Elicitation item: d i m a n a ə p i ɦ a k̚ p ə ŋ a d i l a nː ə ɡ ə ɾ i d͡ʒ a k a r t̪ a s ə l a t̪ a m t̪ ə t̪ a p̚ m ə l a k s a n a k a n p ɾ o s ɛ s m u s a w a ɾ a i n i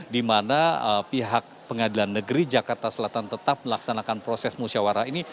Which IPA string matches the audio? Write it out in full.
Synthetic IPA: d i m a n a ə p i ɦ a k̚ p ə ŋ a d i l a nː ə ɡ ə ɾ i d͡ʒ a k a r t̪ a s ə l a t̪ a n t̪ ə t̪ a p̚ m ə l a k s a n a k a n p ɾ o s ɛ s m u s a w a ɾ a i n i